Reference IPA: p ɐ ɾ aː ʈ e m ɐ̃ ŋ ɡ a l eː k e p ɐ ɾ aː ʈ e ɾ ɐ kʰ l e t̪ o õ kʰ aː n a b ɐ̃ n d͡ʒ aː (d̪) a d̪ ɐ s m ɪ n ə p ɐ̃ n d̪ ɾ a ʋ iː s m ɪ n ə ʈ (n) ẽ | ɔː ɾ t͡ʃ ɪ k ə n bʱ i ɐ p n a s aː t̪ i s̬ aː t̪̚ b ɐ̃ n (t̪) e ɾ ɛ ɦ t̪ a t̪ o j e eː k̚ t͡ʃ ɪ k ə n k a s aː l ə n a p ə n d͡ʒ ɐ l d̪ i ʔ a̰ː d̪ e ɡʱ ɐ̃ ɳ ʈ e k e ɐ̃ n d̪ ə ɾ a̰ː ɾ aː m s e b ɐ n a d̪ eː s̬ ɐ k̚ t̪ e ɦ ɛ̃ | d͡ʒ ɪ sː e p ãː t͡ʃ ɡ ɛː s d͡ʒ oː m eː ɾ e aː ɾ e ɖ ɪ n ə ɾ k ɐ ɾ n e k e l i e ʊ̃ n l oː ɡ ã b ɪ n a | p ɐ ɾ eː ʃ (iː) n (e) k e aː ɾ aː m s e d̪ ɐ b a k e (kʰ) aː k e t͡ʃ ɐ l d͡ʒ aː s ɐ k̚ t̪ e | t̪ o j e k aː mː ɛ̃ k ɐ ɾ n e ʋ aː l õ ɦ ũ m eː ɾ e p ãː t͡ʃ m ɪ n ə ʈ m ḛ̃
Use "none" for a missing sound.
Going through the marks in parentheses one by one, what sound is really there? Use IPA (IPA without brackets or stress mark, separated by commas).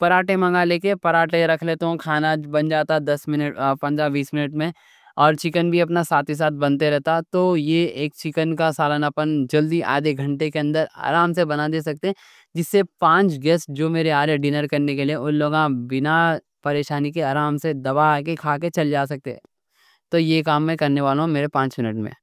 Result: t̪, m, t̪, aː, i, kʰ